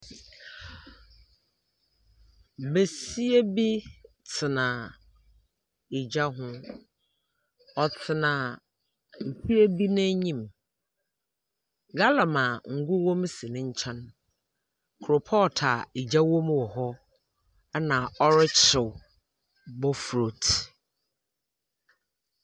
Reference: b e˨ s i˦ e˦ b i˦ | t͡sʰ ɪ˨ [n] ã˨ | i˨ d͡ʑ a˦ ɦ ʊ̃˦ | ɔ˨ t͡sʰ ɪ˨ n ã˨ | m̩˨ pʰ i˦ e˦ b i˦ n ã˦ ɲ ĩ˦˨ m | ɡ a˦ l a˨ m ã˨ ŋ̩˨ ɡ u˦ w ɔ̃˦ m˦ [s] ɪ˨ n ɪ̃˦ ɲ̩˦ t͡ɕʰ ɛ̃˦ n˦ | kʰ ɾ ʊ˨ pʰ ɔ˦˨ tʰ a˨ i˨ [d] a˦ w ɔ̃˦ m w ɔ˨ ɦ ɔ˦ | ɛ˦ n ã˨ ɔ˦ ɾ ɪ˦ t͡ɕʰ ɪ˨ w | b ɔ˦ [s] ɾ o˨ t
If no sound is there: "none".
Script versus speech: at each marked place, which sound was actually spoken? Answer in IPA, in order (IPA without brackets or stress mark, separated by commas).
n, s, d͡ʑ, f